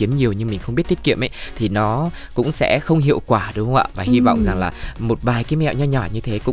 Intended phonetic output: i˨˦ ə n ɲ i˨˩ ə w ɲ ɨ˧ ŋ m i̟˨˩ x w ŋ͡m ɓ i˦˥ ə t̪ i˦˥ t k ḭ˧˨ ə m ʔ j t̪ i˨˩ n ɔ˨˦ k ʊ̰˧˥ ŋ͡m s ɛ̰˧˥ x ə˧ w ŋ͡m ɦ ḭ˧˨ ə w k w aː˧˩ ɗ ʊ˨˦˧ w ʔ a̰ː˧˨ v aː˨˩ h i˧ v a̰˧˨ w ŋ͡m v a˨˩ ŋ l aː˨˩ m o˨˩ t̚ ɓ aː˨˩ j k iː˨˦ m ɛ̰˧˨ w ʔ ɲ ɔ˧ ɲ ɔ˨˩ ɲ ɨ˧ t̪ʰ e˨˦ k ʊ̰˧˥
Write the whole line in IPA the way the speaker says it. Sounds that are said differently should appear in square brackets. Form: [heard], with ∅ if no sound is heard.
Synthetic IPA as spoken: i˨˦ ə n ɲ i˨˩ ə w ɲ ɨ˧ ŋ m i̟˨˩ x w ŋ͡m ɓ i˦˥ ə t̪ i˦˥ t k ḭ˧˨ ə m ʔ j [t̪ʰ] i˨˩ n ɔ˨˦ k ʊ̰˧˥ ŋ͡m s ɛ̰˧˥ x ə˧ w ŋ͡m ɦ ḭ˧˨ ə w k w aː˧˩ ɗ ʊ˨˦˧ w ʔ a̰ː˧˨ v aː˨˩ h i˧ v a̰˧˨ w ŋ͡m [z] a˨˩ ŋ l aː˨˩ m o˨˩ t̚ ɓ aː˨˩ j k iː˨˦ m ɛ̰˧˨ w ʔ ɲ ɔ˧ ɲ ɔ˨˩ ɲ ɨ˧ t̪ʰ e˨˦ k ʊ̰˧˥